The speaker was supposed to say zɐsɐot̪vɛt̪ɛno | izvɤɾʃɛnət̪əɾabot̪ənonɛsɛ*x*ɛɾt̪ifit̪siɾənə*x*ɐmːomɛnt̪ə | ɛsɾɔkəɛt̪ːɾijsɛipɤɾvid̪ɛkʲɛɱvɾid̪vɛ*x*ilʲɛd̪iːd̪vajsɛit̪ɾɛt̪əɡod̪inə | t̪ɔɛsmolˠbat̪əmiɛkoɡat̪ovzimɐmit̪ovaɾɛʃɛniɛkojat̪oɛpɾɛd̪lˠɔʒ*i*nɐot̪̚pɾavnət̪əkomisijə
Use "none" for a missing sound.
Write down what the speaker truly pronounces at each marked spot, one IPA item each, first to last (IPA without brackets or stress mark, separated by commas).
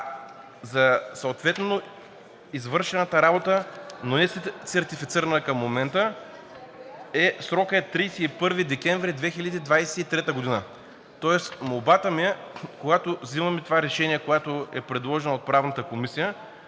s, k, x, ɛ